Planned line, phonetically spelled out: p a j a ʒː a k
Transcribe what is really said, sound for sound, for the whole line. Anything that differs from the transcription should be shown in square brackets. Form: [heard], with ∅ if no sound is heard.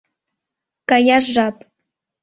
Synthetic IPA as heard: [k] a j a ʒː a [p]

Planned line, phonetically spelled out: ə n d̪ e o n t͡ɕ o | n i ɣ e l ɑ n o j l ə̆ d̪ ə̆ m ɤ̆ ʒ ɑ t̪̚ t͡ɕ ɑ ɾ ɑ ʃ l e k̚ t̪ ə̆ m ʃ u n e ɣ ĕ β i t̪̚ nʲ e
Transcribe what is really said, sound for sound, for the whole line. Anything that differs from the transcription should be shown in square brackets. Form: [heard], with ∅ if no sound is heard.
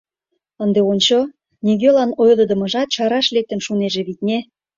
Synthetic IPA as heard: ə n d̪ e o n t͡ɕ o | n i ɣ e l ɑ n o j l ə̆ d̪ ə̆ m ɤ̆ ʒ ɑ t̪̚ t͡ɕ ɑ ɾ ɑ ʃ l e k̚ t̪ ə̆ m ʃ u n e [ʒ] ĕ β i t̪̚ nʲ e

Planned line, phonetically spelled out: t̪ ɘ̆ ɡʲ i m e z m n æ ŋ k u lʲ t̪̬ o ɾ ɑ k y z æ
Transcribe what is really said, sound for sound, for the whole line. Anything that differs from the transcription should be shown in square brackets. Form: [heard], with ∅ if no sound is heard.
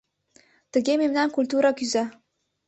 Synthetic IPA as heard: t̪ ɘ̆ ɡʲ [e] m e [∅] m n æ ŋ k u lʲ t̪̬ [u] ɾ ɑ k y z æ

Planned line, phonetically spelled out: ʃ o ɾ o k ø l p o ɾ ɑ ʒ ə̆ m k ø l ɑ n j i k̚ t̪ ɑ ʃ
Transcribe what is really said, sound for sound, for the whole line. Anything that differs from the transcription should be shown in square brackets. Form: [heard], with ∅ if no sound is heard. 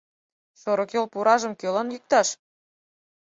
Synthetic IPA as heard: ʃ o ɾ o k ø l p [u] ɾ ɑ ʒ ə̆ m k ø l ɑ n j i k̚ t̪ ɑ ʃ

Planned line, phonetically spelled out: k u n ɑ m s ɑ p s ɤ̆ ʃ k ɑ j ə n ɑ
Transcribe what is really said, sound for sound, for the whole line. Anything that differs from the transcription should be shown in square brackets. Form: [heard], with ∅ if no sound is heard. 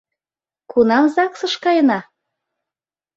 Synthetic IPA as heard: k u n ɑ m [z] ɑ [k] s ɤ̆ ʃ k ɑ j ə n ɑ

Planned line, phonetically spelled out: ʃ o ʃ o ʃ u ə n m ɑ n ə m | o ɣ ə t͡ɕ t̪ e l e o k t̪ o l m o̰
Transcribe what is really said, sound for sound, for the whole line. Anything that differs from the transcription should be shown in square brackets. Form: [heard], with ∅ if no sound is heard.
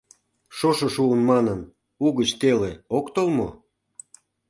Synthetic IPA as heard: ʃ o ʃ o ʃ u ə n m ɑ n ə [n] | [u] ɣ ə t͡ɕ t̪ e l e o k t̪ o l m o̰

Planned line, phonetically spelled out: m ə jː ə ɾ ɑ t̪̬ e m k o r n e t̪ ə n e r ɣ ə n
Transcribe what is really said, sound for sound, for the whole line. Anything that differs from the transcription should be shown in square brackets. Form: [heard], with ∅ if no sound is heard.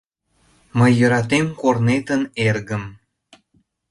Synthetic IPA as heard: m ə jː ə ɾ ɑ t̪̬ e m k o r n e t̪ ə n e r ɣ ə [m]

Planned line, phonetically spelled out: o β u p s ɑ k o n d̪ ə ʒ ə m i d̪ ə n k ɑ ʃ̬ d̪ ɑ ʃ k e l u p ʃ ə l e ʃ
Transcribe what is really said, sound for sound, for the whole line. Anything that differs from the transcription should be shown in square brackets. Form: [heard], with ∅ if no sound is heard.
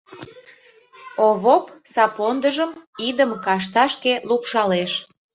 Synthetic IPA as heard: o β [o] p s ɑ [p] o n d̪ ə ʒ ə m i d̪ ə [m] k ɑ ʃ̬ [t̪] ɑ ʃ k e l u p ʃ [ɑ] l e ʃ

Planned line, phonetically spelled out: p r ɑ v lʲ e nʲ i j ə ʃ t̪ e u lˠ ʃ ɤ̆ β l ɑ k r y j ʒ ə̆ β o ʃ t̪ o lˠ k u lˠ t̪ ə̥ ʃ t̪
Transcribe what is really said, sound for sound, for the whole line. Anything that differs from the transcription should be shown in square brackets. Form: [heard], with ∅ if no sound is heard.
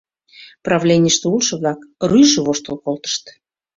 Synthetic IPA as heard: p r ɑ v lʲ e nʲ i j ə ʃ t̪ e u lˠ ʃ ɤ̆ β l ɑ k r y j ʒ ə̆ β o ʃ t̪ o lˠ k [o] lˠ t̪ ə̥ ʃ t̪

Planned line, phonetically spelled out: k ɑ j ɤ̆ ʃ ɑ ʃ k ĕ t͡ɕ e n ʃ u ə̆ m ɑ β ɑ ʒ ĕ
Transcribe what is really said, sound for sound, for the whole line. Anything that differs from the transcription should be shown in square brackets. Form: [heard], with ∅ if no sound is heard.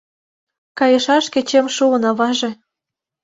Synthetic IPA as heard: k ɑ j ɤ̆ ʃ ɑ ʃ k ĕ t͡ɕ e [m] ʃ u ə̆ [n] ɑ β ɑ ʒ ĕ

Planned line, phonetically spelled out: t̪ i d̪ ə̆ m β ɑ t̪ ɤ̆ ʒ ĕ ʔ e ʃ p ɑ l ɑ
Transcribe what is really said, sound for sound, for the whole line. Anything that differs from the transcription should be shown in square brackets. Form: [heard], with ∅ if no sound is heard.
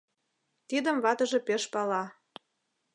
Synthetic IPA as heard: t̪ i d̪ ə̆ m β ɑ t̪ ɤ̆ ʒ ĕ [p] e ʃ p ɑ l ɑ

